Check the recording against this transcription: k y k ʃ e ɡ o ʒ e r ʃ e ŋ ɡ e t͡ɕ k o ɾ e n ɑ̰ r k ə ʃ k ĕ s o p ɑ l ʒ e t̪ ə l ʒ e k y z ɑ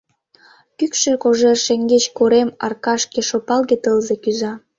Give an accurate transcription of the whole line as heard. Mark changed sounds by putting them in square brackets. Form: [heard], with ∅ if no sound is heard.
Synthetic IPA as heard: k y k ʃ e [k] o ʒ e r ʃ e ŋ ɡ e t͡ɕ k o ɾ e [m] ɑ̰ r k [ɑ] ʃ k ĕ [ʃ] o p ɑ l [ɣ] e t̪ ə l [z] e k y z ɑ